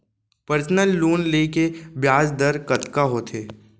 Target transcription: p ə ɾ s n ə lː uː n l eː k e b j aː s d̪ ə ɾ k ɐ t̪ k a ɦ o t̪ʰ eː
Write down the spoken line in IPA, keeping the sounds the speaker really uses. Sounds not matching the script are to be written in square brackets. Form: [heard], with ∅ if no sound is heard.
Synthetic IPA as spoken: p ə ɾ s n ə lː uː n l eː k e b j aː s d̪ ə ɾ k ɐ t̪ k a ɦ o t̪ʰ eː